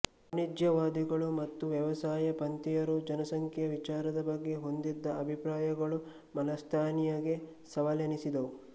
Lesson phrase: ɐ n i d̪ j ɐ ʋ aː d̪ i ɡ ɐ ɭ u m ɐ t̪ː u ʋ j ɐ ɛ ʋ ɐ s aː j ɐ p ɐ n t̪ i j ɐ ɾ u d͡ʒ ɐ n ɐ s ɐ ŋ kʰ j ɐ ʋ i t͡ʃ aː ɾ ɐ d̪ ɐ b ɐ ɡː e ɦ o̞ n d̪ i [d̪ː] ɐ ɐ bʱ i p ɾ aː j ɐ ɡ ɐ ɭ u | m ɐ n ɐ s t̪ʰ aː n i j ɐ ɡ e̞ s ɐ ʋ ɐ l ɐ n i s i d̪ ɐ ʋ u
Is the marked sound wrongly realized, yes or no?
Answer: no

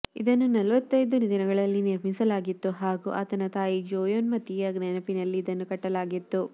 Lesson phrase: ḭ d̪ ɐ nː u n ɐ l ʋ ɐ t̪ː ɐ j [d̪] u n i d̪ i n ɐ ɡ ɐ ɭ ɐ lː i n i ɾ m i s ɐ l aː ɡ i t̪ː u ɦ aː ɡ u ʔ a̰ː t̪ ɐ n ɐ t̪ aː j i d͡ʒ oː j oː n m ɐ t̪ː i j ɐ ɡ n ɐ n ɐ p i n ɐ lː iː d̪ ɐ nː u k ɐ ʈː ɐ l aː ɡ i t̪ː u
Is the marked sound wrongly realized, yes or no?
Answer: no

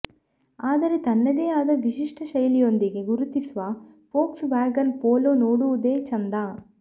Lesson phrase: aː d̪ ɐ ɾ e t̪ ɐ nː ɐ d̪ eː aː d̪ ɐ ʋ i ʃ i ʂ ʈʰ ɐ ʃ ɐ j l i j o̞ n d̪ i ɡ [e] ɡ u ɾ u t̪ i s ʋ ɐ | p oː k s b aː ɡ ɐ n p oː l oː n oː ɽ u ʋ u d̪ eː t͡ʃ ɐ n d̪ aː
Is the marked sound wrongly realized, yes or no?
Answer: no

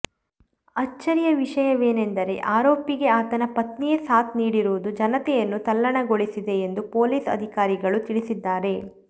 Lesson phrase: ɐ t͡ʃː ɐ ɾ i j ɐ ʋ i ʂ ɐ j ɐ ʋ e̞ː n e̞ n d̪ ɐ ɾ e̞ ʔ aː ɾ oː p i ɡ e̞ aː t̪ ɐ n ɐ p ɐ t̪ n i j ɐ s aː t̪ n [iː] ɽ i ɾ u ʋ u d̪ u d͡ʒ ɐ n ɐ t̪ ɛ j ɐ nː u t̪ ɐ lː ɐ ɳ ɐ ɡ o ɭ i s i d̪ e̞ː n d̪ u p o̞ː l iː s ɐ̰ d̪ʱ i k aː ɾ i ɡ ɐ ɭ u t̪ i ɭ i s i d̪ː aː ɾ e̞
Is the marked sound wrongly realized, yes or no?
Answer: no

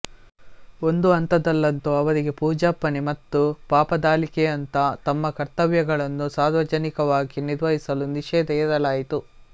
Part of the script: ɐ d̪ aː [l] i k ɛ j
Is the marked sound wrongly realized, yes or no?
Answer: no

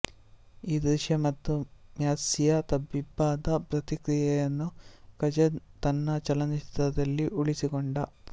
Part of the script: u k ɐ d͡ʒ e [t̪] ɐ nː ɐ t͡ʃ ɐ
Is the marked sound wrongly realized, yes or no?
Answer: no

